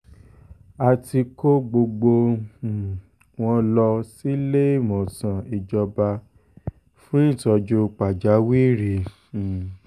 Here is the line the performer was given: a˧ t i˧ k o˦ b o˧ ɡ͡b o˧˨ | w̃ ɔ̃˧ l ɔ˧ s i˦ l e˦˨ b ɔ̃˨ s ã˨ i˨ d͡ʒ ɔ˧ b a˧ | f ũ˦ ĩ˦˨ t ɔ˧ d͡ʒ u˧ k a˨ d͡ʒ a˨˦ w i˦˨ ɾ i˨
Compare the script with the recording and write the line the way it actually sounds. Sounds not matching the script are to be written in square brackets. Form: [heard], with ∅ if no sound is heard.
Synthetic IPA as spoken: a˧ t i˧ k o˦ [ɡ͡b] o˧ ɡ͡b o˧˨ | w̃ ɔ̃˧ l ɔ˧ s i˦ l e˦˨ [m] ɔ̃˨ s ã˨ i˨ d͡ʒ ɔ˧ b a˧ | f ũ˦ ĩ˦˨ t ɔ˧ d͡ʒ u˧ [k͡p] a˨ d͡ʒ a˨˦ w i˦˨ ɾ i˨